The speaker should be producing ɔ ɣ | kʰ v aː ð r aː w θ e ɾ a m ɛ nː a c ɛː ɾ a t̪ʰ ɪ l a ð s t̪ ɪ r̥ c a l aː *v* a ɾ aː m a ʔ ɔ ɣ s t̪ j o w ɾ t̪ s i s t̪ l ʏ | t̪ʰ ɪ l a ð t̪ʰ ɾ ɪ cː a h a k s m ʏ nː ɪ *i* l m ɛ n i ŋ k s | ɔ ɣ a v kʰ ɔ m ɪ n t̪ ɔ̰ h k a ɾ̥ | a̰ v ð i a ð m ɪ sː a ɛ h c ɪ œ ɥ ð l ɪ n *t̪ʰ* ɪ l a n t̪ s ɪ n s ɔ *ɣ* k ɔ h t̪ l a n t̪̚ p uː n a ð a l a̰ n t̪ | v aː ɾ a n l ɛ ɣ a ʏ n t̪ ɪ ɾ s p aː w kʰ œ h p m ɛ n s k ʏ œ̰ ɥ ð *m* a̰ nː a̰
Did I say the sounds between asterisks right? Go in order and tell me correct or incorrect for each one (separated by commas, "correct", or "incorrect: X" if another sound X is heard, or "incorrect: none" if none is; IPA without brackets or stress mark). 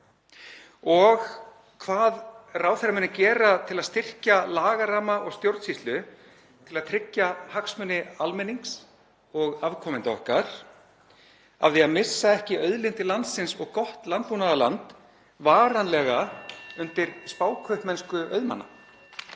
incorrect: ɣ, incorrect: a, incorrect: t̪, correct, correct